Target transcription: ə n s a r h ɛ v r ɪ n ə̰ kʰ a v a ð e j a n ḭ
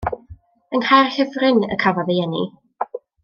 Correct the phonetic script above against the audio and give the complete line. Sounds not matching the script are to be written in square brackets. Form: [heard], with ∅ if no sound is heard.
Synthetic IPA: ə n [h] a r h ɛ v r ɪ n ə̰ kʰ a v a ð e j [ɛ] n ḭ